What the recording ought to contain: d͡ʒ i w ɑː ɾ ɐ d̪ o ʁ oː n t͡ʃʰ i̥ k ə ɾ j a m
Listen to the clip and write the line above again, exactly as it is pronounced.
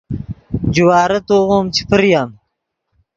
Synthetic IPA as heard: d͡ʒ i w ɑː ɾ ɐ t̪ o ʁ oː m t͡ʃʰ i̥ p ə ɾ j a m